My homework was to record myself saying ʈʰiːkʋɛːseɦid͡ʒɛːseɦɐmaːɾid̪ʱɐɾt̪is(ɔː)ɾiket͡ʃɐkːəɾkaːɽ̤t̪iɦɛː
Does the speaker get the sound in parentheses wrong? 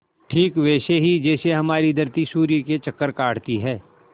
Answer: yes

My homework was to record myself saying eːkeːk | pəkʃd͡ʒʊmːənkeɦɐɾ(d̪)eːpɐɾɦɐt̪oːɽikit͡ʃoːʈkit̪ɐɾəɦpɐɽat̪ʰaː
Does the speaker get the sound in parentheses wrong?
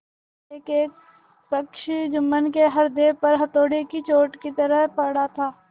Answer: no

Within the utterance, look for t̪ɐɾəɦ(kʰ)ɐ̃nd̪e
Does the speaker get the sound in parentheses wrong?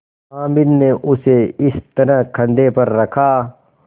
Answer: no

